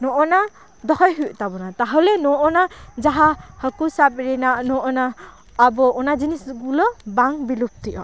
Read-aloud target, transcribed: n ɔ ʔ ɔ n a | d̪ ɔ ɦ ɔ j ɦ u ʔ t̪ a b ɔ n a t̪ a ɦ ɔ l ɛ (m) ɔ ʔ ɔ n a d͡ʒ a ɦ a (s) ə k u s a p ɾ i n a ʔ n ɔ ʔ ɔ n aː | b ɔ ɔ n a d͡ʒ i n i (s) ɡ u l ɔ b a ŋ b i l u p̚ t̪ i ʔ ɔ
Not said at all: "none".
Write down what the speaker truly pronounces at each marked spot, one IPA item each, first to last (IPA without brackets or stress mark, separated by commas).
n, h, s